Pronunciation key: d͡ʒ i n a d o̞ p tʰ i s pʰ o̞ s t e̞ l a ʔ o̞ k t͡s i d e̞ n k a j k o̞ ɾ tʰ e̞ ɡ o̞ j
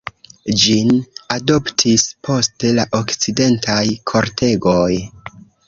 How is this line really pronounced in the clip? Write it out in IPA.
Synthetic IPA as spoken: d͡ʒ i n a d o̞ p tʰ i s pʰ o̞ s t e̞ l a ʔ o̞ k t͡s i d e̞ n t a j kʰ o̞ ɾ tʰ e̞ ɡ o̞ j